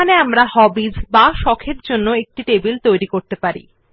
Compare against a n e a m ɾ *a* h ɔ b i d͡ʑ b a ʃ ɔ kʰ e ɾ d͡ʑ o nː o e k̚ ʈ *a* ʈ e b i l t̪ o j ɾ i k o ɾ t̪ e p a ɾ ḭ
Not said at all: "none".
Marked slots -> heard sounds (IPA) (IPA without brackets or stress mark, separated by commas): a, i